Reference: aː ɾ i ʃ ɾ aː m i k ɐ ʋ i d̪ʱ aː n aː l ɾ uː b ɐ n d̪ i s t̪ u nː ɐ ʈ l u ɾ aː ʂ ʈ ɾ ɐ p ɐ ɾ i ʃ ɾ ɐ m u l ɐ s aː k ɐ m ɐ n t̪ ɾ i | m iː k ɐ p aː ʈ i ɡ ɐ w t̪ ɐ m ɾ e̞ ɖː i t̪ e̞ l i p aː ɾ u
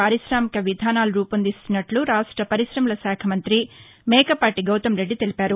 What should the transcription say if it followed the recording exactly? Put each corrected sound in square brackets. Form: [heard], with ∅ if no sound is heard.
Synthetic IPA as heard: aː ɾ i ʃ ɾ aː m i k ɐ ʋ i d̪ʱ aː n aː l ɾ uː [p] ɐ n d̪ i s t̪ u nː ɐ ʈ l u ɾ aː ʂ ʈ ɾ ɐ p ɐ ɾ i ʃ ɾ ɐ m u l ɐ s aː [kʰ] ɐ m ɐ n t̪ ɾ i | m [ɛː] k ɐ p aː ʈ i ɡ ɐ w t̪ ɐ m ɾ e̞ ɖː i t̪ e̞ l i p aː ɾ u